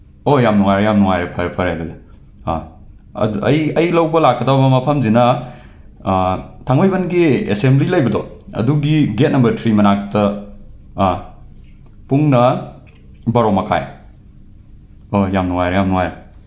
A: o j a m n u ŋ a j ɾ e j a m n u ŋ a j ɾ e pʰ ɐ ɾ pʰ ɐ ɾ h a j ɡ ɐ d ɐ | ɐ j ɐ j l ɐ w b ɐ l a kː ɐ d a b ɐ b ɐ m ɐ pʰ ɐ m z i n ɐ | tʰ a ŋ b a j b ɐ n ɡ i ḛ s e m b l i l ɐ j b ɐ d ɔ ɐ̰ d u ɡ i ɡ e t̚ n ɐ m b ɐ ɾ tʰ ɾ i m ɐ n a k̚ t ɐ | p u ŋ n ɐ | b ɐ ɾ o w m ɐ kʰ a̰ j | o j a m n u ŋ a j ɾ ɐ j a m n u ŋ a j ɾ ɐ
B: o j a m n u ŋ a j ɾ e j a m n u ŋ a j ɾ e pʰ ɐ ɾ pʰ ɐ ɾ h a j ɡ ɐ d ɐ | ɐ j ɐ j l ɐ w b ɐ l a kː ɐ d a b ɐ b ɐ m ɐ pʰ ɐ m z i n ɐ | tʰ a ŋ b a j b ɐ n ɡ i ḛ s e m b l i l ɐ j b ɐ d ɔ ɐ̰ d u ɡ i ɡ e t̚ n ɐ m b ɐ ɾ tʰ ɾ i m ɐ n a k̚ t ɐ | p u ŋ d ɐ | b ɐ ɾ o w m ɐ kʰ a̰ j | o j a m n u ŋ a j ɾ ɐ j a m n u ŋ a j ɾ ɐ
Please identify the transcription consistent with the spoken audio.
A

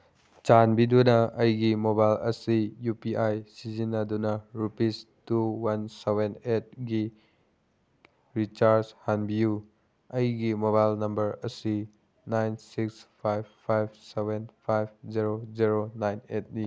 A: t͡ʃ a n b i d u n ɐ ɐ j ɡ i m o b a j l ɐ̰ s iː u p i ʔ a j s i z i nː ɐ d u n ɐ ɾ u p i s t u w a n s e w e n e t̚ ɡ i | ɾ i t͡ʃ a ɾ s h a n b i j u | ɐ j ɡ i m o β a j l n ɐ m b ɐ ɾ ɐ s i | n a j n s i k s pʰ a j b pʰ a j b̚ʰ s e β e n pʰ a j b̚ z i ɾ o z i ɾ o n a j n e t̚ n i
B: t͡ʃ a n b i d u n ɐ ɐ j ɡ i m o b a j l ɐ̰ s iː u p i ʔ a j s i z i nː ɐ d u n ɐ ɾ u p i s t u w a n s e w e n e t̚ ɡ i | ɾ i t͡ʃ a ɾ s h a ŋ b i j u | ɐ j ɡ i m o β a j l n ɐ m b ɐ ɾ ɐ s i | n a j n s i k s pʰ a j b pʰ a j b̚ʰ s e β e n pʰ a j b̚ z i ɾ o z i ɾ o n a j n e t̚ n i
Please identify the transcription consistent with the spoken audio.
A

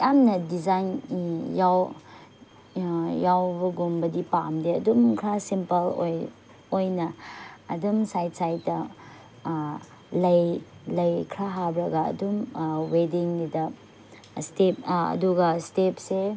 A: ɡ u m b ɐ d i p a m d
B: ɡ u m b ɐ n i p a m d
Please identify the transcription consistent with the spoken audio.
A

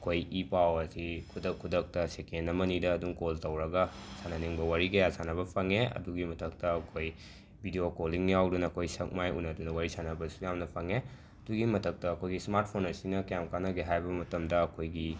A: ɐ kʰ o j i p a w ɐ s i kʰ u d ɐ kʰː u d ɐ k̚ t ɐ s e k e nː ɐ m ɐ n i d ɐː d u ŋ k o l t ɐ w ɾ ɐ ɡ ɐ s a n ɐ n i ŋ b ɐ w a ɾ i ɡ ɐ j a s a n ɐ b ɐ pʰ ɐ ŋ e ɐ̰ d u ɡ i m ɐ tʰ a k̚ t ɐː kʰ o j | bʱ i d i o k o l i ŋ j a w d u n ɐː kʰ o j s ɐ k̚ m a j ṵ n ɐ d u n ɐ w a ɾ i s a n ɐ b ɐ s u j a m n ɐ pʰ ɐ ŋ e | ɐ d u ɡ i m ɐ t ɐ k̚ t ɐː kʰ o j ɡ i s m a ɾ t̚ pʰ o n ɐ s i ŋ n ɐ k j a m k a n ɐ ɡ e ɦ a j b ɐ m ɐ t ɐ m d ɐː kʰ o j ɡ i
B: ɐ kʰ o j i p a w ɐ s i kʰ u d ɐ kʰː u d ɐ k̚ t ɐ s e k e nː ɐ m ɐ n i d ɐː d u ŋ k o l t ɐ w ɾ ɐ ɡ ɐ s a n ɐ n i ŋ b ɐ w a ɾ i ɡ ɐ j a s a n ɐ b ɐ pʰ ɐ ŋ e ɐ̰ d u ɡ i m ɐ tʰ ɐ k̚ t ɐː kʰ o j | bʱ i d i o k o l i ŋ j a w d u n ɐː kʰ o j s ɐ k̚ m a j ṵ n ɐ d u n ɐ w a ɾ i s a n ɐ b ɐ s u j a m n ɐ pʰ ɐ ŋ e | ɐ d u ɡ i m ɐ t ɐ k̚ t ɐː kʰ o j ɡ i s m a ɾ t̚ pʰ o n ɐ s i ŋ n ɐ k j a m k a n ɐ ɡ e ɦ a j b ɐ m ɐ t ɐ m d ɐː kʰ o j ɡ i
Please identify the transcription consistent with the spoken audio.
B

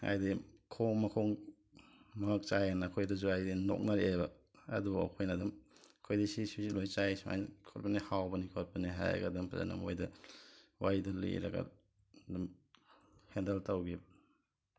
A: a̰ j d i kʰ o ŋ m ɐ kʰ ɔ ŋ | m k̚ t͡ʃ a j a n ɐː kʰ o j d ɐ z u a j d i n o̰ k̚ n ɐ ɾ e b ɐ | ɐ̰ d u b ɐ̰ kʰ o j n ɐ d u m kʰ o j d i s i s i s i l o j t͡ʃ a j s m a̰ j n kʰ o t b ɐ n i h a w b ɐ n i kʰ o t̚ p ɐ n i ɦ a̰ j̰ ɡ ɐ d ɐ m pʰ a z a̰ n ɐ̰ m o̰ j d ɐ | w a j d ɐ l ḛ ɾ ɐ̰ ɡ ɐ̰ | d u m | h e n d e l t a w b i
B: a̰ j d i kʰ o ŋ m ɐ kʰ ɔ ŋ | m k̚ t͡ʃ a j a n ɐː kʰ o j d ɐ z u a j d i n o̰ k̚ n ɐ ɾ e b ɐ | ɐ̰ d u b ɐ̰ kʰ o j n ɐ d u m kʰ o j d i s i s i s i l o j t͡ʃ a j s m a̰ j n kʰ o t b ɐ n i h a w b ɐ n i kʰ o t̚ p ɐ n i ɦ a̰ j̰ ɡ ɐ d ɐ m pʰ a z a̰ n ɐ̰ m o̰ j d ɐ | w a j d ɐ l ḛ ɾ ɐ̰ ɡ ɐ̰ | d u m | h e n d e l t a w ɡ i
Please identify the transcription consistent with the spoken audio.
B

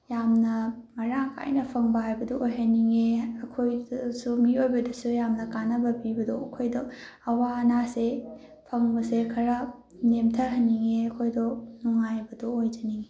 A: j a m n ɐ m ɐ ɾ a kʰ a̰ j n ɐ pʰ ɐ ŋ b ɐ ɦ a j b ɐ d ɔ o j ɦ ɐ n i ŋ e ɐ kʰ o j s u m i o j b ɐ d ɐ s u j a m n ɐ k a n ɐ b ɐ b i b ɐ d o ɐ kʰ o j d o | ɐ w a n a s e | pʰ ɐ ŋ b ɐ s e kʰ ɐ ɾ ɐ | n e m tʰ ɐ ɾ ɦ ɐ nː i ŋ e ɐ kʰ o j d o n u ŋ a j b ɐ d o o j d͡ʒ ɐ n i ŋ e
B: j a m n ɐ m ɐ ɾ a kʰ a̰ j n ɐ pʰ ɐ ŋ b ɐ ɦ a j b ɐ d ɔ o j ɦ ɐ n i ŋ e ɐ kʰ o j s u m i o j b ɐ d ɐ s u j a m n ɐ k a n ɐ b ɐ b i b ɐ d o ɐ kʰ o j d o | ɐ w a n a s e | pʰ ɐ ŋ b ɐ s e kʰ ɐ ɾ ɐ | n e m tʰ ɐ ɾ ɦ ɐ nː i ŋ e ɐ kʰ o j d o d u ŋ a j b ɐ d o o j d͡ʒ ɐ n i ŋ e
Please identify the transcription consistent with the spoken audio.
A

